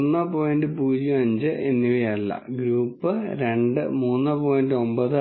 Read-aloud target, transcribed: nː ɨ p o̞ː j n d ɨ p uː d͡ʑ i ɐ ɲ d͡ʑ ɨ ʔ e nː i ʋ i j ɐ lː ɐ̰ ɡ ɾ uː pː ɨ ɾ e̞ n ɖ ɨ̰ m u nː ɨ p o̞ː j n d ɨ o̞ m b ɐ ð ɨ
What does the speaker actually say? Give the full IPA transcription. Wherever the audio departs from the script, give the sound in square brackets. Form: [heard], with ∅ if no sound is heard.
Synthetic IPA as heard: nː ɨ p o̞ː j n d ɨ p uː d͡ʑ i ɐ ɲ d͡ʑ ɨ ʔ e nː i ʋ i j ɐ lː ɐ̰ ɡ ɾ uː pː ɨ ɾ e̞ [ɳ] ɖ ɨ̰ m [uː] nː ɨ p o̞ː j n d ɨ o̞ m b ɐ ð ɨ

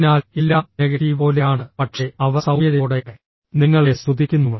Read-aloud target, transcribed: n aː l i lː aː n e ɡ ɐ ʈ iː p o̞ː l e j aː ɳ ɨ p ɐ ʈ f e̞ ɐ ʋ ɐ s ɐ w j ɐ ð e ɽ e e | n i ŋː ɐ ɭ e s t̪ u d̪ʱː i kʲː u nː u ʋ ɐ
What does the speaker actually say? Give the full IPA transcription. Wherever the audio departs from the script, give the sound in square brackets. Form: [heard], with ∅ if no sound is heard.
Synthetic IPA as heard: n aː l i lː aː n e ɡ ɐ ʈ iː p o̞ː l e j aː ɳ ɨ p ɐ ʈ [ʂ] e̞ ɐ ʋ ɐ s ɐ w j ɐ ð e ɽ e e | n i ŋː ɐ ɭ e s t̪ u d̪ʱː i kʲː u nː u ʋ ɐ

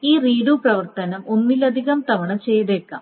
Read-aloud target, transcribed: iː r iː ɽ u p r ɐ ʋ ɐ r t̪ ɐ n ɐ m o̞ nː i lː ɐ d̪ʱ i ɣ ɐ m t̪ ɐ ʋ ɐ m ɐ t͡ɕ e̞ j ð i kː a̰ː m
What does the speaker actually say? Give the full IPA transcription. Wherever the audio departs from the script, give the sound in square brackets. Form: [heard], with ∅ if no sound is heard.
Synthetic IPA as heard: iː r iː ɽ u p r ɐ ʋ ɐ r t̪ ɐ n ɐ m o̞ nː i [l] ɐ d̪ʱ i ɣ ɐ m t̪ ɐ ʋ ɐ [ɳ] ɐ t͡ɕ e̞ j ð [e] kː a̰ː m

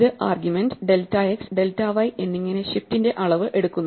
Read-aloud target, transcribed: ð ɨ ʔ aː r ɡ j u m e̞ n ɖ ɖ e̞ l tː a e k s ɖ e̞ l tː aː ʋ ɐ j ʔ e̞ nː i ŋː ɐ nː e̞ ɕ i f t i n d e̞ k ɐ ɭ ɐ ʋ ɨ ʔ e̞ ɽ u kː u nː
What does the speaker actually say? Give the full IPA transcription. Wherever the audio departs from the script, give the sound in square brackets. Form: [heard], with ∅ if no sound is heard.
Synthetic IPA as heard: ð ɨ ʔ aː r ɡ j u m e̞ n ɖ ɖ e̞ l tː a e k s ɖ e̞ l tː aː ʋ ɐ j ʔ e̞ nː i ŋː ɐ [n] e̞ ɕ i f t i n d e̞ [ʔ] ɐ ɭ ɐ ʋ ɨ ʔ e̞ ɽ u kː u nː

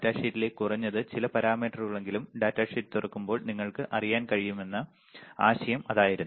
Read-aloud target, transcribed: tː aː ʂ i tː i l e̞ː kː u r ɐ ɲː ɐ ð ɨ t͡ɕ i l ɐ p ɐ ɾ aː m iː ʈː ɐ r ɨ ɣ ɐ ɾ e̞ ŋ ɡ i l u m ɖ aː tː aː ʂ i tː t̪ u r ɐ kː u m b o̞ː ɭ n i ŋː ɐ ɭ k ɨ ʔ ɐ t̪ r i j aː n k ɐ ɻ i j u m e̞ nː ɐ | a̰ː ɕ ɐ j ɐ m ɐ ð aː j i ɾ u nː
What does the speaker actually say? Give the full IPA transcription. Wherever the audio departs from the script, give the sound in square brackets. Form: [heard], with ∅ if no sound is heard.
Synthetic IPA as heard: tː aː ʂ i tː i l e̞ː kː u r ɐ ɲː ɐ ð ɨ t͡ɕ i l ɐ p ɐ ɾ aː m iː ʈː ɐ r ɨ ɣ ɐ [ɭ] e̞ ŋ ɡ i l u m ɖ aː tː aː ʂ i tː t̪ u r ɐ kː u m b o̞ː ɭ n i ŋː ɐ ɭ k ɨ ʔ ɐ [∅] r i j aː n k ɐ ɻ i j u m e̞ nː ɐ | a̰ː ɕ ɐ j ɐ m ɐ ð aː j i ɾ u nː

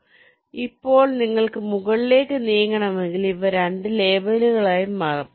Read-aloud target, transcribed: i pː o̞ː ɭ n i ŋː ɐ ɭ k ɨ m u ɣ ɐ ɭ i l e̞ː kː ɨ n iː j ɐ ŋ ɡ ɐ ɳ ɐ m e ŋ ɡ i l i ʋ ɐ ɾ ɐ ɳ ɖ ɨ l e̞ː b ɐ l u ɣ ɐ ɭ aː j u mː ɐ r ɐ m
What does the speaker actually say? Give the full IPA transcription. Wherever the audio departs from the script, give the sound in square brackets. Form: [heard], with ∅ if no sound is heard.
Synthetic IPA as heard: i pː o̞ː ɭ n i ŋː ɐ ɭ k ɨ m u ɣ ɐ ɭ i l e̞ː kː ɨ n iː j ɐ ŋ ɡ ɐ ɳ ɐ m e ŋ ɡ i l i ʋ ɐ ɾ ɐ ɳ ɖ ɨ l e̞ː b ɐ l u ɣ ɐ ɭ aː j u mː ɐ r ɐ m

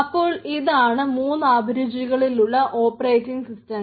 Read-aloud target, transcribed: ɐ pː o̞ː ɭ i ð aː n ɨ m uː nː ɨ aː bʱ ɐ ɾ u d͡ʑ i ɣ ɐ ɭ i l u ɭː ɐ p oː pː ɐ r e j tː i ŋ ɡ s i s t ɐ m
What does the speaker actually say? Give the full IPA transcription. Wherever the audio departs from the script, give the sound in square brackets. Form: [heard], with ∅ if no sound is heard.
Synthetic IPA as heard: ɐ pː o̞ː ɭ i ð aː [ɳ] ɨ m uː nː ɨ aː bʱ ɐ ɾ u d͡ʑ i ɣ ɐ ɭ i l u ɭː ɐ [ʔ] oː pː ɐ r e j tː i ŋ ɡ s i s t ɐ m

